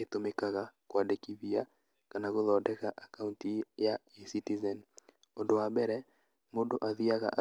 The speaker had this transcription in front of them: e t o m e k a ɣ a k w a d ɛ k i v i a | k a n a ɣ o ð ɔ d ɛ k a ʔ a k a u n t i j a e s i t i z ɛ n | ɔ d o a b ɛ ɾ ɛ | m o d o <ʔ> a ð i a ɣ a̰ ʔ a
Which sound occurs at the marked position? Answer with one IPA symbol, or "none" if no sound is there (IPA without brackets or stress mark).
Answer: ʔ